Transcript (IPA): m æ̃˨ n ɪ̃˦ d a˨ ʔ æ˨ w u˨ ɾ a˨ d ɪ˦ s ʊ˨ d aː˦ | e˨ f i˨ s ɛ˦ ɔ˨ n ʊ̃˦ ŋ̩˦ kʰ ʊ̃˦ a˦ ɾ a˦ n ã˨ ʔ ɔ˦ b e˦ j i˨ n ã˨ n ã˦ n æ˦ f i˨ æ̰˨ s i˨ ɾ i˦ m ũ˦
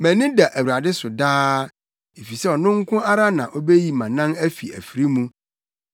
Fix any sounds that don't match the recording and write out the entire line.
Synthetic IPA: m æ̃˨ n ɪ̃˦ d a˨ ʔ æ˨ w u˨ ɾ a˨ d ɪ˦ s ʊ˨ d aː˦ | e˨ f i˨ s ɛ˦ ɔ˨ n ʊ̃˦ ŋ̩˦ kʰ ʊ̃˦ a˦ ɾ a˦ n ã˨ ʔ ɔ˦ b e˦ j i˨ m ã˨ n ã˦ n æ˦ f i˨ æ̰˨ f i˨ ɾ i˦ m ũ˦